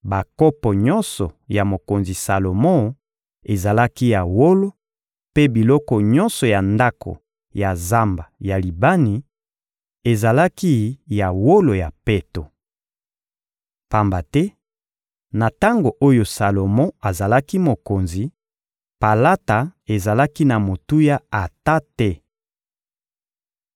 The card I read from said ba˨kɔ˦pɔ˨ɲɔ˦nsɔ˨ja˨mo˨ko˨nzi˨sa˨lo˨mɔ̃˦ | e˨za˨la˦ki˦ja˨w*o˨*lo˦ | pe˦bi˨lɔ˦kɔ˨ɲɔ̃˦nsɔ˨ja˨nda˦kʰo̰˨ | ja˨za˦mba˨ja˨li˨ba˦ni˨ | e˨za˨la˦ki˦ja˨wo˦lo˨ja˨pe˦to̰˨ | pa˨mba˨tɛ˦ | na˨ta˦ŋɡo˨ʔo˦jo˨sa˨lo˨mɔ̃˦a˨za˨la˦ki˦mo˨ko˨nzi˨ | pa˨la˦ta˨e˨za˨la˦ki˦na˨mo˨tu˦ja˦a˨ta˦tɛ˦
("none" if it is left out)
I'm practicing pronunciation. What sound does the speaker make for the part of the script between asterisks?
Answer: o˦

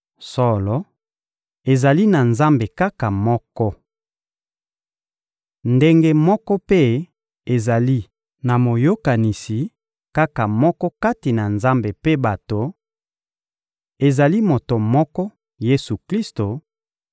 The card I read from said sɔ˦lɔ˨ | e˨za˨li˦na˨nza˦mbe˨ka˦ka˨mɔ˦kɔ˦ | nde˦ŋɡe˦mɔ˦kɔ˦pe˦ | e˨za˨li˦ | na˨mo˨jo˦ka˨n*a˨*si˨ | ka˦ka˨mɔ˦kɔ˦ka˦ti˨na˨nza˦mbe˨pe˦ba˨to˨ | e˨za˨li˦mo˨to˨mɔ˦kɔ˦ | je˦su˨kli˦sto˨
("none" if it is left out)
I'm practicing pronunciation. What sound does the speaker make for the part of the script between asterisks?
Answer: i˨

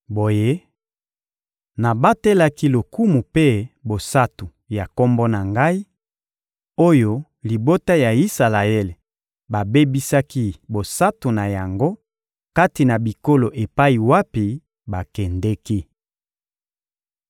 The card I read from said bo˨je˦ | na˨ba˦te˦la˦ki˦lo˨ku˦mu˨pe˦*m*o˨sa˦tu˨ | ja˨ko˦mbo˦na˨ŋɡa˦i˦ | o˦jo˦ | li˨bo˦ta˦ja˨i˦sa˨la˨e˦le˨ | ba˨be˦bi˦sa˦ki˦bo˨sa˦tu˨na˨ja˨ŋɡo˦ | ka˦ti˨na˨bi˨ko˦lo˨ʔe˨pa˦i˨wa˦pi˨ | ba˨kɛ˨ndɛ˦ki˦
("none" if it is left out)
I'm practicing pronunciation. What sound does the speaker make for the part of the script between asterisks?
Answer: b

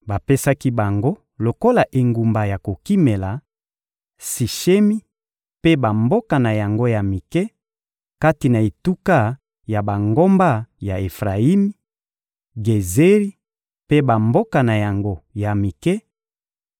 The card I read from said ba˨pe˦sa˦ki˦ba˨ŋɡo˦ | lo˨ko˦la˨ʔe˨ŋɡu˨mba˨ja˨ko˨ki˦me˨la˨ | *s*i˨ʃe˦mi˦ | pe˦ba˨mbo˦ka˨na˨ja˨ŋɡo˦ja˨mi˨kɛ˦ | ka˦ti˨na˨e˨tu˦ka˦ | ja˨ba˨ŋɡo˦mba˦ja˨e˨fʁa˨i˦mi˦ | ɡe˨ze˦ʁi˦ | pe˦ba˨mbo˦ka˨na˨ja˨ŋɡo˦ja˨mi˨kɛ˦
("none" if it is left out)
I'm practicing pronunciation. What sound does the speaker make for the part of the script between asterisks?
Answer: s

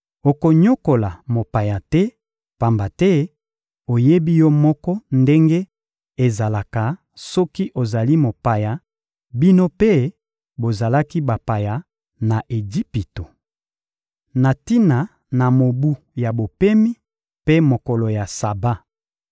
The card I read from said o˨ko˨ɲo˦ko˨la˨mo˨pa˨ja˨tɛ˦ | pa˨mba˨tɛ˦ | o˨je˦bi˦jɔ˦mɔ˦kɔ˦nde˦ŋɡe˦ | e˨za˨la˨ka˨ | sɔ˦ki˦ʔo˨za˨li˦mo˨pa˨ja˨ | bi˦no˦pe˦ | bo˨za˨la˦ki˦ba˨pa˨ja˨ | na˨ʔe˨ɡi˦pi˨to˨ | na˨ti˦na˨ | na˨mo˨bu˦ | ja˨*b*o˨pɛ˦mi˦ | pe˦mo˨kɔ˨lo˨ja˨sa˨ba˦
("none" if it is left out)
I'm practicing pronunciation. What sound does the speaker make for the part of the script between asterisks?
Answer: b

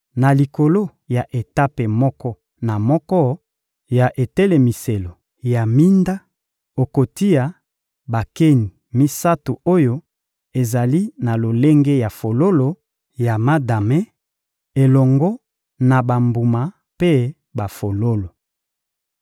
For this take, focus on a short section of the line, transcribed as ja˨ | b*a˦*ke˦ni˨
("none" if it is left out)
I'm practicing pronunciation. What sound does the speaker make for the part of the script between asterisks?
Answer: a˨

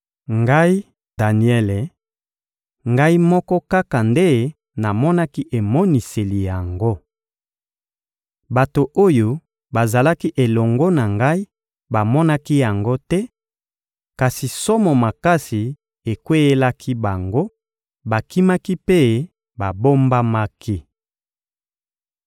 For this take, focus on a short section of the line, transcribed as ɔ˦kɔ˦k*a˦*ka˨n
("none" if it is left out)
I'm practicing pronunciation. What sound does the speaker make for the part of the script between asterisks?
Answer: a˦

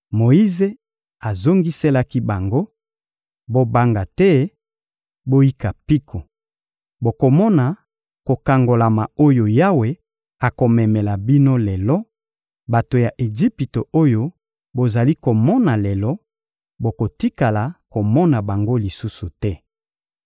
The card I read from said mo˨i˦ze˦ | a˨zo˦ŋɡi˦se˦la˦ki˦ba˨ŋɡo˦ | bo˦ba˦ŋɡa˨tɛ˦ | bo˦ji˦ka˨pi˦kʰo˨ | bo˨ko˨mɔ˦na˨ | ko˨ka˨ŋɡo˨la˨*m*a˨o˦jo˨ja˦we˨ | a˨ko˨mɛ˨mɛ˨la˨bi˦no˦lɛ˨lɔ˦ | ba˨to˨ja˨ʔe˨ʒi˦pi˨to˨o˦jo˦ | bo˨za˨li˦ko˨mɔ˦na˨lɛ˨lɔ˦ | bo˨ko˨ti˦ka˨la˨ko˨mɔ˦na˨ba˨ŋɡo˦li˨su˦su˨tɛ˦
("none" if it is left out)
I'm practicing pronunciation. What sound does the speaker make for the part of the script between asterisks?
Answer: m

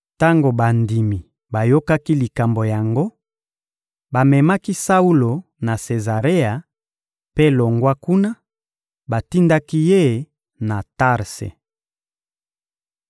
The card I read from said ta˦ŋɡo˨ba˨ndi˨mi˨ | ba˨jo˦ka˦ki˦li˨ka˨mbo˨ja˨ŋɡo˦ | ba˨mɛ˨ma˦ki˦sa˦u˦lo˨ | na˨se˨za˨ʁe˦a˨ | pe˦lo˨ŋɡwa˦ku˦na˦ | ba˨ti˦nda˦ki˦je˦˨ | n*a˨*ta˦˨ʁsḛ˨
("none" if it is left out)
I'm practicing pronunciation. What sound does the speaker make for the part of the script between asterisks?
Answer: a˨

